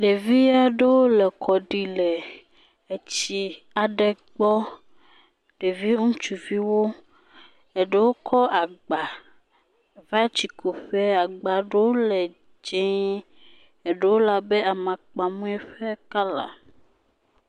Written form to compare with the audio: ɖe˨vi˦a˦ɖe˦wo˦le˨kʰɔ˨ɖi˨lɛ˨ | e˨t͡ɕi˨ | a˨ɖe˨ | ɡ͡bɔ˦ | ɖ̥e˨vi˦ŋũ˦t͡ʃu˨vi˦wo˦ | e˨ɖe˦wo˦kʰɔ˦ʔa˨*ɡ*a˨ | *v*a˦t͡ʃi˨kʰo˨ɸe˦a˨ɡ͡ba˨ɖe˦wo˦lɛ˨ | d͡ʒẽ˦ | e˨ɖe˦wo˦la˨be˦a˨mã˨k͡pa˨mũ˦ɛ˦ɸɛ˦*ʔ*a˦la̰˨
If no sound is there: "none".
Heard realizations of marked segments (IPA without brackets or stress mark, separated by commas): ɡ͡b, v, k